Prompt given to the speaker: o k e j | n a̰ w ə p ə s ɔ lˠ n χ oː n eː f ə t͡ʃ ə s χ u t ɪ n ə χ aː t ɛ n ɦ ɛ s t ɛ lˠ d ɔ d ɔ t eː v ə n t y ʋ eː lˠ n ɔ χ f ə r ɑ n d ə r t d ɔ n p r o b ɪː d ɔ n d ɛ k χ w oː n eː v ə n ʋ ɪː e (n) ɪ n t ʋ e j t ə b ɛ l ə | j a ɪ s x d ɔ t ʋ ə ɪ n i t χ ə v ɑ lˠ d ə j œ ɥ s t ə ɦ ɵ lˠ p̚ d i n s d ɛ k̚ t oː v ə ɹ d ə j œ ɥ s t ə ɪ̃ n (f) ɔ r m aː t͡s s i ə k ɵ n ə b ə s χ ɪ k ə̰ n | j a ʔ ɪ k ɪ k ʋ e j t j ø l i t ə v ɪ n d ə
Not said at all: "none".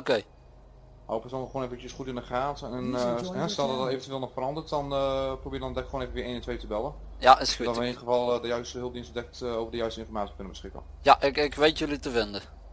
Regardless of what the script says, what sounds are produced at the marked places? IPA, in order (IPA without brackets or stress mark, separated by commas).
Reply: n, f